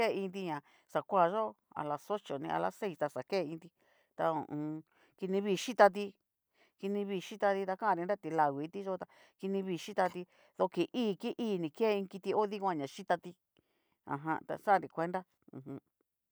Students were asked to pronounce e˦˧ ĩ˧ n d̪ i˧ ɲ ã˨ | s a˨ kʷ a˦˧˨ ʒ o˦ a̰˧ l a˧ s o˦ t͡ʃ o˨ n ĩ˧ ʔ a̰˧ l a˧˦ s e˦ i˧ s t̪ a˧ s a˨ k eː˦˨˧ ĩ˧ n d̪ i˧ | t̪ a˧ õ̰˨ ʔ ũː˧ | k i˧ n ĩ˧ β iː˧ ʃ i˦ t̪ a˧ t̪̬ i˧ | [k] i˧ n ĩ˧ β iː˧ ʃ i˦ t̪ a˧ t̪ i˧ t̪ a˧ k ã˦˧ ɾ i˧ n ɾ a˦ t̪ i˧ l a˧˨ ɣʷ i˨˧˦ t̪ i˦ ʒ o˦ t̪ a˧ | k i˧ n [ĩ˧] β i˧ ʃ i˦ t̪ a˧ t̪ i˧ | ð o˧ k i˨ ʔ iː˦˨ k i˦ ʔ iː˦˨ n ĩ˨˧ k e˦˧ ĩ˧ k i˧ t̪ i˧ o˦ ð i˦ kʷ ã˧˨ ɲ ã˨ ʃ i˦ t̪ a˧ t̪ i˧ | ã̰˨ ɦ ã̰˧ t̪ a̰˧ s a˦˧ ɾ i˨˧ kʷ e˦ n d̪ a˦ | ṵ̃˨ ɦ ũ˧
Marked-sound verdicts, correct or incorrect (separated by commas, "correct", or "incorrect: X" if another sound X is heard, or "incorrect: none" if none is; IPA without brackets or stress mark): correct, correct